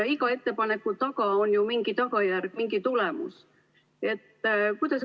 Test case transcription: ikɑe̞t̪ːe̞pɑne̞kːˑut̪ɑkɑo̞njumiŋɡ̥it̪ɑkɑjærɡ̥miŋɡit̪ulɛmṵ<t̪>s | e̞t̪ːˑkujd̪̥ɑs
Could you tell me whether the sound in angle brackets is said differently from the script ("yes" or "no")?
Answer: yes